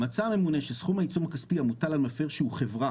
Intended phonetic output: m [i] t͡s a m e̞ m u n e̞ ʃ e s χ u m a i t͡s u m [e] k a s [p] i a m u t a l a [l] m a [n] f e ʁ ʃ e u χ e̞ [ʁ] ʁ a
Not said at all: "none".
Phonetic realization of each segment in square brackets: a, a, p, l, none, v

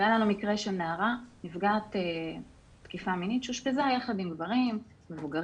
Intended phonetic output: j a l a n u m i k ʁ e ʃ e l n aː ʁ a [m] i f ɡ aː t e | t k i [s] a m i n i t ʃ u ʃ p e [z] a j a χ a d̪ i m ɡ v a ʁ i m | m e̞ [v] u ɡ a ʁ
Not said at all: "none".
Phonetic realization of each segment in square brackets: n, f, z, v

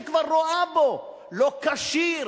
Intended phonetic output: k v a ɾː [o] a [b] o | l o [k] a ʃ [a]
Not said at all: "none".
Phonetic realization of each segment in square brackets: o, b, k, i

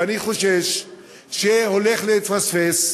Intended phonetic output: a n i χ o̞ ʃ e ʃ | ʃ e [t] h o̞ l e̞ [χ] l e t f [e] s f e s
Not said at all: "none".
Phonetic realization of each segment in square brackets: none, χ, a

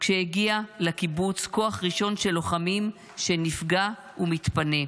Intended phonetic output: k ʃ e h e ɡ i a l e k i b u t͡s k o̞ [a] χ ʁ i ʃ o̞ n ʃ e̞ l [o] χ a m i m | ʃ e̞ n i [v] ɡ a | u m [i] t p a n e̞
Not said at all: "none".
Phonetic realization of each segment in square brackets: a, o, f, i

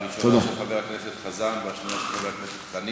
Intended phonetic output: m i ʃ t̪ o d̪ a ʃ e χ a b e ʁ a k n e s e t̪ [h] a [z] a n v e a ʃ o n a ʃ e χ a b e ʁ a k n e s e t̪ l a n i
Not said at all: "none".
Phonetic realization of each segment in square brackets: χ, z

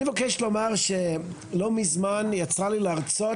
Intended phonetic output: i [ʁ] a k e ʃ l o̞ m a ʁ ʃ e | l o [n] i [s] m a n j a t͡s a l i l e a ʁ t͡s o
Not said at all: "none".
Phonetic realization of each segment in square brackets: v, m, z

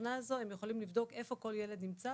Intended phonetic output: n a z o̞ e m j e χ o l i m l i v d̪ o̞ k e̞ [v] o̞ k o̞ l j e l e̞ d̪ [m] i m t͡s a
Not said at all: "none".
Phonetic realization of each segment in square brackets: f, n

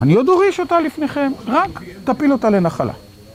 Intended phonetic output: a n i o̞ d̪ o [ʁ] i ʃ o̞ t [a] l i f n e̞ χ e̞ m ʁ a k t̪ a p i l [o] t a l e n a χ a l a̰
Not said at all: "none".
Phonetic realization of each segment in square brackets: ʁ, a, o

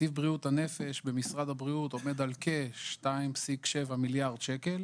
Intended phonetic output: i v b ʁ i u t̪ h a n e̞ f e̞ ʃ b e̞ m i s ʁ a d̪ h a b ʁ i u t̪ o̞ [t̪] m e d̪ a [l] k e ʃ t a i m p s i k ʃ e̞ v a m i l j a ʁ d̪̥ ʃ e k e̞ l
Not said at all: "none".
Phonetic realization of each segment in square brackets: none, l

